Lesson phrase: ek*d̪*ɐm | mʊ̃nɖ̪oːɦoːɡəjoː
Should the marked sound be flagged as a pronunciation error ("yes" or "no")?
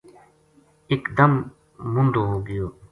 no